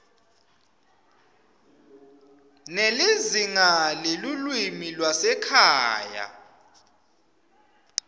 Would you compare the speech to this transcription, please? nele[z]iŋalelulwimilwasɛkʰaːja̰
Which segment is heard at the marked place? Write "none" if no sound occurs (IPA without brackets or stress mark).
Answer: z